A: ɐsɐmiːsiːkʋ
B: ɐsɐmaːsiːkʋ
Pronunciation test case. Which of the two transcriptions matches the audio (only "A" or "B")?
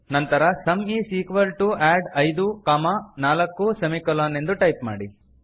A